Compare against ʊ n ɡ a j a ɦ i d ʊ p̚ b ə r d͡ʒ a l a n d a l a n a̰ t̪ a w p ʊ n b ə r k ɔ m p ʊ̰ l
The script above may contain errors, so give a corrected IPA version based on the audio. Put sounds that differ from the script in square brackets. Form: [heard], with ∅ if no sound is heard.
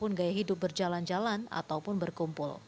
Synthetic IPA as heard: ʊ n ɡ a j a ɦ i d ʊ p̚ b ə r d͡ʒ a l a n [d͡ʒ] a l a n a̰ t̪ a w p ʊ n b ə r k [u] m p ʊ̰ l